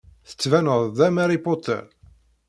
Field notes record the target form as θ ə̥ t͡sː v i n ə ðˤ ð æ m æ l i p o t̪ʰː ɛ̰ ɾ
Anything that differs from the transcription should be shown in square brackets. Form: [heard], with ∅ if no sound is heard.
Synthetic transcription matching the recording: θ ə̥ t͡sː v [æ] n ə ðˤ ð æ m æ [ɾ] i p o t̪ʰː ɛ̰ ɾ